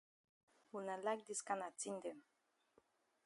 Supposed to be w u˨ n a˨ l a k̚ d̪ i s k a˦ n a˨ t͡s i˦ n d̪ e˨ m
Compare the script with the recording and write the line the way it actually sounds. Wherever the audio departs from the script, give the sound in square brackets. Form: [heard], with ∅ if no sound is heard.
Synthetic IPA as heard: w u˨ n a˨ l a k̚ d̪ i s k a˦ n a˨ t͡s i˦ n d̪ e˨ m

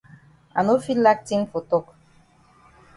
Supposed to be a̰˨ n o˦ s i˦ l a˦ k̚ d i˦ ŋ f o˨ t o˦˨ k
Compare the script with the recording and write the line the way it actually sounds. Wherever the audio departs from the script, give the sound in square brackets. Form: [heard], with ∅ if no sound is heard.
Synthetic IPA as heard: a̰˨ n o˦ [f] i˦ l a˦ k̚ [t] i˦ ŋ f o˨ t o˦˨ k

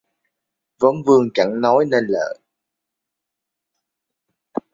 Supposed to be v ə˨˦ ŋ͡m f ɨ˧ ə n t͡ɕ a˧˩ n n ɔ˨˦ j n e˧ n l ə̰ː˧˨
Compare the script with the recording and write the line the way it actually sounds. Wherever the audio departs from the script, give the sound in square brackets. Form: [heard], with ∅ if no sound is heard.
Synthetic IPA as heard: v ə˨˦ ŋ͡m [v] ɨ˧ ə [ŋ] t͡ɕ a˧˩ [ŋ] n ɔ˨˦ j n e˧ n l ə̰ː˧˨

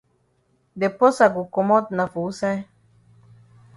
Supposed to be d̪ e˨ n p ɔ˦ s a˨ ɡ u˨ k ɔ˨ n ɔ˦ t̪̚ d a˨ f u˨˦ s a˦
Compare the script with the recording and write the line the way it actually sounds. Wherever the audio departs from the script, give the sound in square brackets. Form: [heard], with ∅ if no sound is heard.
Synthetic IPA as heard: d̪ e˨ [∅] p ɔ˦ s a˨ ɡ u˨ k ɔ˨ [m] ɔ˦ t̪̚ [n] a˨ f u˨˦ s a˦

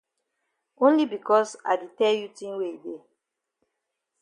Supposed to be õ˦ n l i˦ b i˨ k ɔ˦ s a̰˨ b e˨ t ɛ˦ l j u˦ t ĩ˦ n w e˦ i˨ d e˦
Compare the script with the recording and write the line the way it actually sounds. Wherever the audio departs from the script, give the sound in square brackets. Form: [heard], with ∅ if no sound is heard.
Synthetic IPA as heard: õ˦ n l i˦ b i˨ k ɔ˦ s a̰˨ [d] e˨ t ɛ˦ l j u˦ t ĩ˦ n w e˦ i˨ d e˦

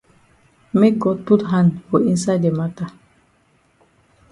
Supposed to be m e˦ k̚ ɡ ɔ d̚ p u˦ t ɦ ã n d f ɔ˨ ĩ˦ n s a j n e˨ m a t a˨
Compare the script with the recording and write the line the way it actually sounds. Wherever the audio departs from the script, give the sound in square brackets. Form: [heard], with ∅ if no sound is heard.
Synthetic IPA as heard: m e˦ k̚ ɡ ɔ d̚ p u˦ t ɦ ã n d f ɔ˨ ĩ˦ n s a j [d] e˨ m a t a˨

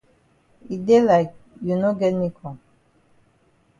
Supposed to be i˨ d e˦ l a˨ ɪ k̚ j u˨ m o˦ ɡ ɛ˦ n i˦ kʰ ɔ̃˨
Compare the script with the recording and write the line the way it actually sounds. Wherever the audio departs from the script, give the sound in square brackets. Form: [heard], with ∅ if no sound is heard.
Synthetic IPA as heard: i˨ d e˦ l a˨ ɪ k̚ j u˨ [n] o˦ ɡ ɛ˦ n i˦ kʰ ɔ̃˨

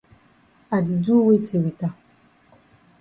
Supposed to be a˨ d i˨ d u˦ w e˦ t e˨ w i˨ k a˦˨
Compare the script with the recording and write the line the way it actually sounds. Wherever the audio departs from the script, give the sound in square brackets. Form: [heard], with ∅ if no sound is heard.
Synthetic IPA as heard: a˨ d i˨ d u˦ w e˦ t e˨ w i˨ [t] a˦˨

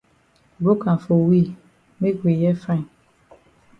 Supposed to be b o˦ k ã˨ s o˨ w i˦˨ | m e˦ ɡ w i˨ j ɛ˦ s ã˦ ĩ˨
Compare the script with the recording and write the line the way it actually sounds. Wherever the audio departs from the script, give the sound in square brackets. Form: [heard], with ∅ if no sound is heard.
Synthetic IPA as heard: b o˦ k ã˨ [f] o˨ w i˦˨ | m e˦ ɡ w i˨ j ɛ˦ [f] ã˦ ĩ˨

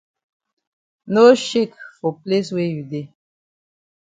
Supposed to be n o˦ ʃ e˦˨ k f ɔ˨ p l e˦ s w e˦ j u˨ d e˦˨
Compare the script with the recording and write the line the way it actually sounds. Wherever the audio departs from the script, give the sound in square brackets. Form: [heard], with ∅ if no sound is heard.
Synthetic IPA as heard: n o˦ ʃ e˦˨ k f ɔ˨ p l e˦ s w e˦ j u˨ d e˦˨

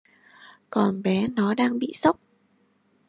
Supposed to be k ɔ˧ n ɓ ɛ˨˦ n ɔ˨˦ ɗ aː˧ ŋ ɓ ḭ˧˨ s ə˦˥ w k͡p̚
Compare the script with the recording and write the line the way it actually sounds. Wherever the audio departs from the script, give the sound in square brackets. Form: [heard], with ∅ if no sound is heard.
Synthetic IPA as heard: k [ɔ˨˩] n ɓ ɛ˨˦ n ɔ˨˦ ɗ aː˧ ŋ ɓ ḭ˧˨ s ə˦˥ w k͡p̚

